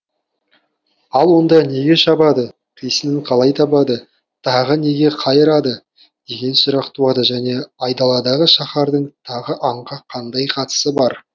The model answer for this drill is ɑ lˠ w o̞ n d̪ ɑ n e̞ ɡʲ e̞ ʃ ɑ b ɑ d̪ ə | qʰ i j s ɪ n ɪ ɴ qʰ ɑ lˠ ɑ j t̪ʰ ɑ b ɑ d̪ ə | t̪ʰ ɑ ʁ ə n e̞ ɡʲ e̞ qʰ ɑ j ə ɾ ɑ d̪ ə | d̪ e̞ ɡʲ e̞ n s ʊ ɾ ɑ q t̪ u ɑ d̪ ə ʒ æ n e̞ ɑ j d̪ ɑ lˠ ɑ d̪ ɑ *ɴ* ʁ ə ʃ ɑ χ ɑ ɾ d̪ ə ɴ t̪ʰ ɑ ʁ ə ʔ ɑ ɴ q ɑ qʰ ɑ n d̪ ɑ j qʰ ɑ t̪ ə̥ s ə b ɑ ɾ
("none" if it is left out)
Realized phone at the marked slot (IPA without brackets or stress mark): none